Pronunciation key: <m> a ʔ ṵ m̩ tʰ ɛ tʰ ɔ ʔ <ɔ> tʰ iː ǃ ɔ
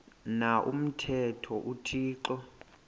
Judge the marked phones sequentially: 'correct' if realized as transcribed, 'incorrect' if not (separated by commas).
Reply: incorrect, incorrect